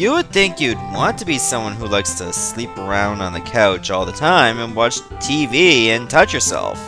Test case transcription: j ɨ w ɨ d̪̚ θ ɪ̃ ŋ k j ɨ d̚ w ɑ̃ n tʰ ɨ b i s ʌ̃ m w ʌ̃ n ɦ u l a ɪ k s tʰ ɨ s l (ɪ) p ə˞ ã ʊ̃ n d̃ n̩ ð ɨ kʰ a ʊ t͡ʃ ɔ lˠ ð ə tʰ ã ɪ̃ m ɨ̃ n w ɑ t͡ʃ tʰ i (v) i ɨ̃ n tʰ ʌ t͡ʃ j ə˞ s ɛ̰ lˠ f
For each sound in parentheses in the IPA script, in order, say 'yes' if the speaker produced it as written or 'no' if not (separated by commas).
no, yes